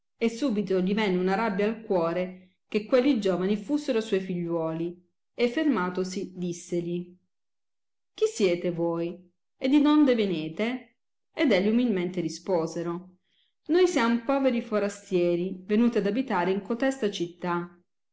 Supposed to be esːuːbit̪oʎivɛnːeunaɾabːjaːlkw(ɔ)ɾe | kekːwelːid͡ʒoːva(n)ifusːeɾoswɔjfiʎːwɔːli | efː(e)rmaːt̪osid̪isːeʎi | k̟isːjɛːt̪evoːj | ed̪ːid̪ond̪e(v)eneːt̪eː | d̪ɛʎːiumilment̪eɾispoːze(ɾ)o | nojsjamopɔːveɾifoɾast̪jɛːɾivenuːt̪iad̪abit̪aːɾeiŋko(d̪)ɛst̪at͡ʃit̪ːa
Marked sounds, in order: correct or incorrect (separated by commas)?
incorrect, correct, correct, correct, correct, incorrect